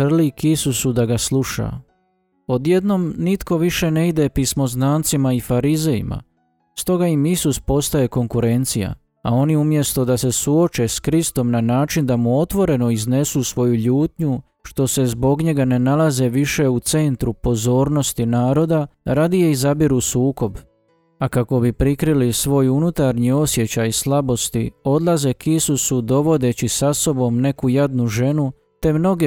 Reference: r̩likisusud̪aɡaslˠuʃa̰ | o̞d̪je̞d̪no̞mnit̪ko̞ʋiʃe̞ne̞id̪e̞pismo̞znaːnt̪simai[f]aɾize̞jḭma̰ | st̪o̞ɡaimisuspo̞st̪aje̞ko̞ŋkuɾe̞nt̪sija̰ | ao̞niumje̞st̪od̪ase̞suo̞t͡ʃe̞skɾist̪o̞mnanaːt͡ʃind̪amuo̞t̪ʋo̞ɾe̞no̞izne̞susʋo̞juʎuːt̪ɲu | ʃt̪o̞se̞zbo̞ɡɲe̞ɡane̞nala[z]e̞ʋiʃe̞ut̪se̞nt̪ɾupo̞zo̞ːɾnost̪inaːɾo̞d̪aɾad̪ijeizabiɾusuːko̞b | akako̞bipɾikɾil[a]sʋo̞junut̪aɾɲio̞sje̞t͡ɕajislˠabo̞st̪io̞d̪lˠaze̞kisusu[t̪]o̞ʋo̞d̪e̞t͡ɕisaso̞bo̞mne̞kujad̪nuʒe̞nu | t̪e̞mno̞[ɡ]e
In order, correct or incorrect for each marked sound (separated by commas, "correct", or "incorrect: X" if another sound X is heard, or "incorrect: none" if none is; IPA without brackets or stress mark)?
correct, correct, incorrect: i, incorrect: d̪, correct